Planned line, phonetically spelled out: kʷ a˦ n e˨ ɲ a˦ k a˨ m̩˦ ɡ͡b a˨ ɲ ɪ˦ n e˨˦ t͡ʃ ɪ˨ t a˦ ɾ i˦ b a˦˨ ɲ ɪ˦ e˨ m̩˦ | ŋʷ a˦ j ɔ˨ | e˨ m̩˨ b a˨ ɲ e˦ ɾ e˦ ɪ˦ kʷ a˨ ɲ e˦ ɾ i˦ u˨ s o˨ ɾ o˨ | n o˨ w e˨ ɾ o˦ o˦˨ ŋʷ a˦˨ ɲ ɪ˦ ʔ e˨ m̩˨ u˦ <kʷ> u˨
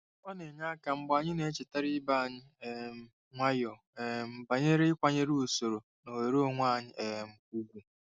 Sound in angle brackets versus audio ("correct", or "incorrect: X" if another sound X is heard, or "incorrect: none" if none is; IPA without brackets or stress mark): incorrect: ɡʷ